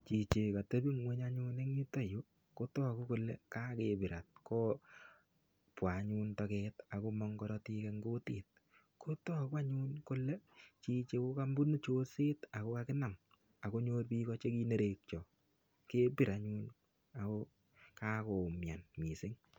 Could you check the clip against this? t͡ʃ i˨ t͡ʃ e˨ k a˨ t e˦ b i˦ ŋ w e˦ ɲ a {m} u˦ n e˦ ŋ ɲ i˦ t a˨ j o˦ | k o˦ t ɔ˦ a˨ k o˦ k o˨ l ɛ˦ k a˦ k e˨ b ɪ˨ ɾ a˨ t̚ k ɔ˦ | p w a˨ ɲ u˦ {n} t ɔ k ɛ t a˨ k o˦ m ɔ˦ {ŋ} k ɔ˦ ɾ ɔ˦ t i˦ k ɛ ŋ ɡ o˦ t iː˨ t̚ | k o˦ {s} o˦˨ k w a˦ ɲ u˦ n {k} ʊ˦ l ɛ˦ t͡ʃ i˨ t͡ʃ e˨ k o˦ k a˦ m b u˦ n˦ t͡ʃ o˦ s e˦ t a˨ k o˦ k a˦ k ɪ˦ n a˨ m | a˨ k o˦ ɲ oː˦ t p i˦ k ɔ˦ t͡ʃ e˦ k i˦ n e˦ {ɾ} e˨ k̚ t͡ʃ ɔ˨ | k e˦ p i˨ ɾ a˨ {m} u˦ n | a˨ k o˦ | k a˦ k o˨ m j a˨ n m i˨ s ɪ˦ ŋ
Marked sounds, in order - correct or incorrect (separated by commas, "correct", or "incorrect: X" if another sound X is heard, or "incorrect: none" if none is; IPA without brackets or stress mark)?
incorrect: ɲ, correct, correct, incorrect: t, correct, correct, incorrect: ɲ